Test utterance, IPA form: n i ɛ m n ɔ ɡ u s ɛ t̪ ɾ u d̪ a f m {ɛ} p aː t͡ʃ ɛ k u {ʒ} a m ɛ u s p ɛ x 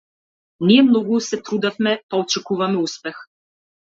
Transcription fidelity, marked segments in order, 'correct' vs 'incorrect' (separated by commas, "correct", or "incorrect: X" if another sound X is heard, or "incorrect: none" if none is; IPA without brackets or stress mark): correct, incorrect: v